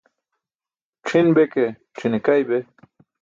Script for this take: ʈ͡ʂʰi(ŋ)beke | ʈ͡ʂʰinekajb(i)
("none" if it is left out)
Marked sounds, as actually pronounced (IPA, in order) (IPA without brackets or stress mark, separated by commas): n, e